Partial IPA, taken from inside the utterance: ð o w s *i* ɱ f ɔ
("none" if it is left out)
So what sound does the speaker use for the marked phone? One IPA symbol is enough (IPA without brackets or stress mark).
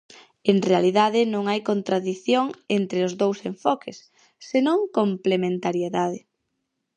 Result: e